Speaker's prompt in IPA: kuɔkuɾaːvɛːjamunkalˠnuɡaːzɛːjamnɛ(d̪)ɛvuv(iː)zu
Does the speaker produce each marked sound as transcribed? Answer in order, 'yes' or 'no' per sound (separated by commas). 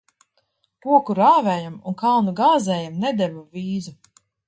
yes, yes